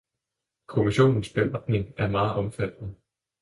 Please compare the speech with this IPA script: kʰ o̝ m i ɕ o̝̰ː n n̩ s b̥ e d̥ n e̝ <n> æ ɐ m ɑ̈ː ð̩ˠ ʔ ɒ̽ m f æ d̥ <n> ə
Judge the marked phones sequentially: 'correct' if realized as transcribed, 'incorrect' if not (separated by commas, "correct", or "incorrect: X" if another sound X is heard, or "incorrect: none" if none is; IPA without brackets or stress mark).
incorrect: ŋ, correct